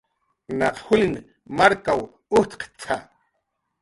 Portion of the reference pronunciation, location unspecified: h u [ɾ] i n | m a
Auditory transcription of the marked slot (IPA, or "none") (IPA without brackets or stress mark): l